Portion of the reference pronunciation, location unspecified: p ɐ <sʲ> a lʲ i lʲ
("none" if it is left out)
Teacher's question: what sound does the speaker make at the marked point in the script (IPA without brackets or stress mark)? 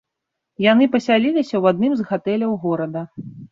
sʲ